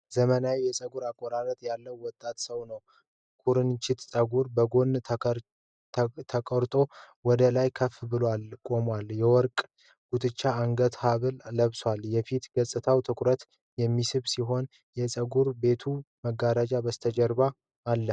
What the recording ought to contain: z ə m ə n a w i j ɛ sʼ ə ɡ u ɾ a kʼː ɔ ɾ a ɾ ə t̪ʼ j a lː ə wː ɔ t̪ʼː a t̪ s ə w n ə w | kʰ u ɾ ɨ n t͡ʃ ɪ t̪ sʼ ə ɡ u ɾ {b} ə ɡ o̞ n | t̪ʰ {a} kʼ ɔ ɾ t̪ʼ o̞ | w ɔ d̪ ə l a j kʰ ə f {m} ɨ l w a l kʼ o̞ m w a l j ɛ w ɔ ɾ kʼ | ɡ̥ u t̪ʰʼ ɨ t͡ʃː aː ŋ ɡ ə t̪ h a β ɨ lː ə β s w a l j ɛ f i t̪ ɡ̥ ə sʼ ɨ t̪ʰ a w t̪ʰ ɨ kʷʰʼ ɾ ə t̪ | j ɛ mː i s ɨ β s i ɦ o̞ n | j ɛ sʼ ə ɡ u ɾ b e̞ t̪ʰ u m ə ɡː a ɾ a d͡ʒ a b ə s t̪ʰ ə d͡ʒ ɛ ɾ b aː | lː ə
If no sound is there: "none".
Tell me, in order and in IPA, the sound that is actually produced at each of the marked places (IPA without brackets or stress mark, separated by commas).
b, ə, b